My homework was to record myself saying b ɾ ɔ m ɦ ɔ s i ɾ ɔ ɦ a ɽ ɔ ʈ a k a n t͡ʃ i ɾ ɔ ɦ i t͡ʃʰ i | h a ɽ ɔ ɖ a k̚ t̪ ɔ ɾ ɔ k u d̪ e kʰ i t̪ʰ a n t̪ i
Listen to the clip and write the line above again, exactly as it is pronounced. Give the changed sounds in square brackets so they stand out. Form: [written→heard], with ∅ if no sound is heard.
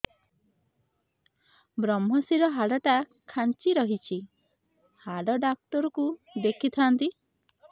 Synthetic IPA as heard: b ɾ ɔ m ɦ ɔ s i ɾ ɔ ɦ a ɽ ɔ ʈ a [k→kʰ] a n t͡ʃ i ɾ ɔ ɦ i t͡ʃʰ i | h a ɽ ɔ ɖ a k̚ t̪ ɔ ɾ ɔ k u d̪ e kʰ i t̪ʰ a n t̪ i